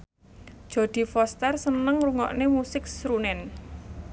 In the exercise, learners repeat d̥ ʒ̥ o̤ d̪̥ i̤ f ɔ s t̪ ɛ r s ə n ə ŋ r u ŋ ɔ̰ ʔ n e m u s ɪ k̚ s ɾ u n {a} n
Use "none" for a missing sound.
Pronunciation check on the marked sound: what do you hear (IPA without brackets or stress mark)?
ɛ